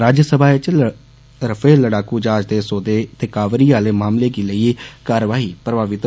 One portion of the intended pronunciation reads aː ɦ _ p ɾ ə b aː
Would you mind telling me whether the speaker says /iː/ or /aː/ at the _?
iː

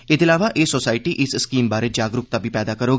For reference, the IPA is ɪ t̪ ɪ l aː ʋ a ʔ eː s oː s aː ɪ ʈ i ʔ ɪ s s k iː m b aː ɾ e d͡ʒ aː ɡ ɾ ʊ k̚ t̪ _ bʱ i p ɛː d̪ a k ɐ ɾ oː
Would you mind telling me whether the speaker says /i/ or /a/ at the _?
a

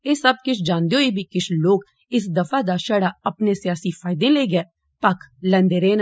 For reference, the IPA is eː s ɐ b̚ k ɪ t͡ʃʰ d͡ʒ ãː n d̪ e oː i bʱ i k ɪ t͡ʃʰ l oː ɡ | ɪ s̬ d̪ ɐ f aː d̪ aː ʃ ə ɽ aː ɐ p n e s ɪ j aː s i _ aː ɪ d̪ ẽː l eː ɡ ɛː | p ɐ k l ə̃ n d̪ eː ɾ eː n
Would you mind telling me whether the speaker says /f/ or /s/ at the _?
f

